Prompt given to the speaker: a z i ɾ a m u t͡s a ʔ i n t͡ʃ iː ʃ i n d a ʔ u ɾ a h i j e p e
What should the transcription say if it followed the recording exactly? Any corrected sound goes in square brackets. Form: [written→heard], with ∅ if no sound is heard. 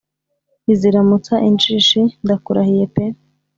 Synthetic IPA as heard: [a→i] z i ɾ a m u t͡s a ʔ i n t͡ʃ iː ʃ i n d a [ʔ→k] u ɾ a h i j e p e